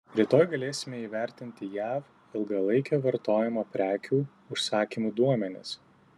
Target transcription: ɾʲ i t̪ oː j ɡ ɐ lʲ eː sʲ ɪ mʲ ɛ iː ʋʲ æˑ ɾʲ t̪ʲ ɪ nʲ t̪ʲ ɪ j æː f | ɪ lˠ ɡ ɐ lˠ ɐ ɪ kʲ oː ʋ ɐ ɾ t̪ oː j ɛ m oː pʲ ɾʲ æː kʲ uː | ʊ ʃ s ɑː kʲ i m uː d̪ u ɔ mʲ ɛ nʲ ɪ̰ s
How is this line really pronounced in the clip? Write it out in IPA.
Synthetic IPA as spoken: ɾʲ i t̪ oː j ɡ ɐ lʲ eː sʲ ɪ mʲ ɛ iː ʋʲ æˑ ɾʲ t̪ʲ ɪ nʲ t̪ʲ ɪ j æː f | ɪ lˠ ɡ ɐ lˠ ɐ ɪ kʲ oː ʋ ɐ ɾ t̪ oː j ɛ m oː pʲ ɾʲ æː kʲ uː | ʊ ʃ s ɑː kʲ i m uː d̪ u ɔ mʲ ɛ nʲ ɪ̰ s